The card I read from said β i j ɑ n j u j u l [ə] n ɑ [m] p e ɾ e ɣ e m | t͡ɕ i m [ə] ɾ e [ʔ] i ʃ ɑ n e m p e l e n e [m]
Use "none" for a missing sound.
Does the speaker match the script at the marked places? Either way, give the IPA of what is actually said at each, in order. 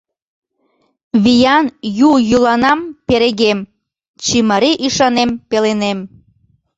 ɑ, m, ə, ʔ, m

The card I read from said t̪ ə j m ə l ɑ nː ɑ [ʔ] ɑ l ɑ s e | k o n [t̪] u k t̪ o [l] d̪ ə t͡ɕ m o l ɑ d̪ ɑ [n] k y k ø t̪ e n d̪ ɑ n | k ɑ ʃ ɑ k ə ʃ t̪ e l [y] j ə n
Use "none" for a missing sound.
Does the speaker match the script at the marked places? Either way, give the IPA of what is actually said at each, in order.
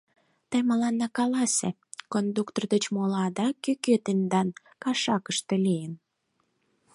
k, d̪, r, none, i

